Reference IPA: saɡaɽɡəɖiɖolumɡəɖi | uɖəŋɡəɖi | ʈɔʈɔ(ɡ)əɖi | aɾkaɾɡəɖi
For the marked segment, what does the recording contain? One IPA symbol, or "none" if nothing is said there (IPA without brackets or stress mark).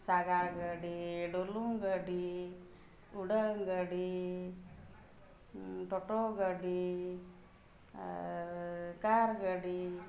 ɡ